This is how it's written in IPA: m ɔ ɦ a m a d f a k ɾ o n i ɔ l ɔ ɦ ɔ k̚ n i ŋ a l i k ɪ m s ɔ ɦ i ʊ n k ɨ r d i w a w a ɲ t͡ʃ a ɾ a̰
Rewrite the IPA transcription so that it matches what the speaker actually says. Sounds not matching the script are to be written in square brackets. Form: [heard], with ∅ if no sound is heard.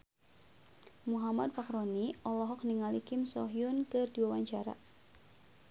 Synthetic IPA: m [u] ɦ a m a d f a k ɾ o n i ɔ l ɔ ɦ ɔ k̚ n i ŋ a l i k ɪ m s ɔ ɦ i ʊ n k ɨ r d i w a w a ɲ t͡ʃ a ɾ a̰